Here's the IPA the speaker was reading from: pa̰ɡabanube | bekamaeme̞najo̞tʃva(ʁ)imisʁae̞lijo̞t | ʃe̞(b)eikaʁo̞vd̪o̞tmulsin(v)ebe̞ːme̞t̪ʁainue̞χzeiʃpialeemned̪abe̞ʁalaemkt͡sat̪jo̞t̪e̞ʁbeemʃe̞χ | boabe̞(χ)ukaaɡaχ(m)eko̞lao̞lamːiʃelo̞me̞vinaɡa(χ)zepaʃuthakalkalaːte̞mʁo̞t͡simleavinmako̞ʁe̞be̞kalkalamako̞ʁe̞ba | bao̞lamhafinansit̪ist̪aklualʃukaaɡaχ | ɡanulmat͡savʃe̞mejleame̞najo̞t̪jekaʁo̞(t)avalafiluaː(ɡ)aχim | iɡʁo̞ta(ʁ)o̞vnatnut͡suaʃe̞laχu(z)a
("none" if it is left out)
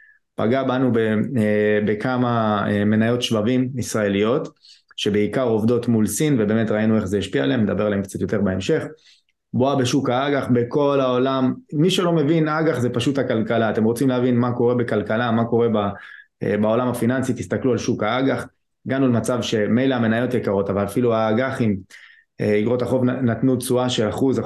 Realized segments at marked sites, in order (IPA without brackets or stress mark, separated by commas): v, b, v, ʃ, b, χ, t, ɡ, χ, z